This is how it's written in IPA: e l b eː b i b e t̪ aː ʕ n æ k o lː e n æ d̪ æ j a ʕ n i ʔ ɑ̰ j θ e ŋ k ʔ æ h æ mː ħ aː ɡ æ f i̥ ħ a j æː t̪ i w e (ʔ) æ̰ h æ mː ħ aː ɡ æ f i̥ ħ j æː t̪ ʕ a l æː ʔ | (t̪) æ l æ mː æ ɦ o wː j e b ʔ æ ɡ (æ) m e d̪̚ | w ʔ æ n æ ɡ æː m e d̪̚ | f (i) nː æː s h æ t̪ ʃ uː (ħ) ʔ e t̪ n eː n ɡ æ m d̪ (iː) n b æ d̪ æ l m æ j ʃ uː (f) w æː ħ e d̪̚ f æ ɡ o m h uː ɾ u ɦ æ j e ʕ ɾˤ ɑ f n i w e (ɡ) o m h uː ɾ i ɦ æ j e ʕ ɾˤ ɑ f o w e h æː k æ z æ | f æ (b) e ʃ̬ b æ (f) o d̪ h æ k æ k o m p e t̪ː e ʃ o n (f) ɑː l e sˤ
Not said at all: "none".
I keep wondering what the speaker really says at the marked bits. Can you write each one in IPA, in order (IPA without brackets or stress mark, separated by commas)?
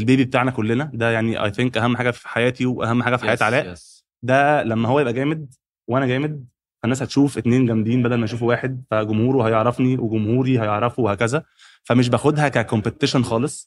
ʔ, d̪, æː, æ, f, iː, f, ɡ, m, x, x